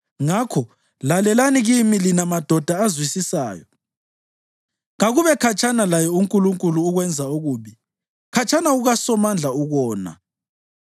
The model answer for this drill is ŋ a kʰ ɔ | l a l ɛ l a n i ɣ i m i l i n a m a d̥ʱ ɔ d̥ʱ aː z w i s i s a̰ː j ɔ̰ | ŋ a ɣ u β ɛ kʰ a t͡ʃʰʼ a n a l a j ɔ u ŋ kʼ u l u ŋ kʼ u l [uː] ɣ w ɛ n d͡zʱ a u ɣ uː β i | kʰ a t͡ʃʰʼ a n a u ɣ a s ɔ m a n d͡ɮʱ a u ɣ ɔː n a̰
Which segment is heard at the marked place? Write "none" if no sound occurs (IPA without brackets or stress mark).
uː